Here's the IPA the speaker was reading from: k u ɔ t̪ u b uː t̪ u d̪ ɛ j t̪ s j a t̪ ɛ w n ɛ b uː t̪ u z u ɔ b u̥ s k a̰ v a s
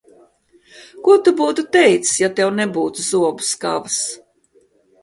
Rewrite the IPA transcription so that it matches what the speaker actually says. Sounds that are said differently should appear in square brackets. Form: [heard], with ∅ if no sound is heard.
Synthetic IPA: k u ɔ t̪ u b uː t̪ u [t̪] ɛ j t̪ s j a t̪ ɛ w n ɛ b uː t̪ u z u ɔ b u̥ s k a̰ v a s